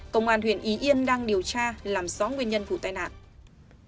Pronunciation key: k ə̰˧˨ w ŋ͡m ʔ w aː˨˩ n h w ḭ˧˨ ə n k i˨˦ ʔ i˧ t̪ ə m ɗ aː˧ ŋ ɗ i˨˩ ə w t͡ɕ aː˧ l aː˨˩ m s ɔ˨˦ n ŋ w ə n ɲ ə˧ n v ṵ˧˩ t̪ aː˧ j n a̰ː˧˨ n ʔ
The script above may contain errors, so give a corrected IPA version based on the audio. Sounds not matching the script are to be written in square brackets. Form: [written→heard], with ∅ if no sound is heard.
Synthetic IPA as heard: k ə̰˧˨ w ŋ͡m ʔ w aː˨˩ n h w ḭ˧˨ ə n [k→ʔ] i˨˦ ʔ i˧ [t̪→∅] ə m ɗ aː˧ ŋ ɗ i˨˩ ə w t͡ɕ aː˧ l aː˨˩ m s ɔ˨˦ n ŋ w ə n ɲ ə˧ n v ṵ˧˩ t̪ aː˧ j n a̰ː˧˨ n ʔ